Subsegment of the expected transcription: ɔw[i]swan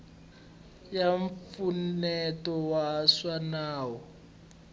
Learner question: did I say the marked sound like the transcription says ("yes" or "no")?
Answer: no